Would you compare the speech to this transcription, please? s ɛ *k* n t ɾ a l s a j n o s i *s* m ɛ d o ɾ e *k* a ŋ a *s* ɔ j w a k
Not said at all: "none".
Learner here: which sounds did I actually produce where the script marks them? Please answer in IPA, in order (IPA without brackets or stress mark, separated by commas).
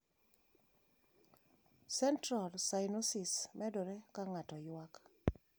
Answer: none, s, k, t